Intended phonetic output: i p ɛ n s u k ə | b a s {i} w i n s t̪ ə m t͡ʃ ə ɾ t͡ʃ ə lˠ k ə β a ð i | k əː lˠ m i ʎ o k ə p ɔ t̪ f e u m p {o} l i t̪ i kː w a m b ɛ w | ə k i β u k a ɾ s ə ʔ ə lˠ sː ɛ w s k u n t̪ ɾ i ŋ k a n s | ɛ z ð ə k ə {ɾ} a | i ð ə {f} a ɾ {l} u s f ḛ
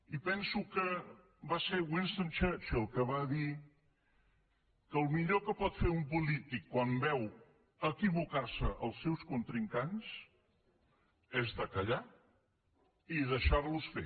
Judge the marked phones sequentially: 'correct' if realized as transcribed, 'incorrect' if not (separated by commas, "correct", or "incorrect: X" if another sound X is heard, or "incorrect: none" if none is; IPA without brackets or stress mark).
incorrect: e, incorrect: u, incorrect: ʎ, incorrect: ʃ, correct